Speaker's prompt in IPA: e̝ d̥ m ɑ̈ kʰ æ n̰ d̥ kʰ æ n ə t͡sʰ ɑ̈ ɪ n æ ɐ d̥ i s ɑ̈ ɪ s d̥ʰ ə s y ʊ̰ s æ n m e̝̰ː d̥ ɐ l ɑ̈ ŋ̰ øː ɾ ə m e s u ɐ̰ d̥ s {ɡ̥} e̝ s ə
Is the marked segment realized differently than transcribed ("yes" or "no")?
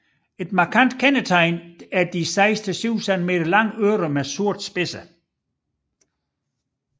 yes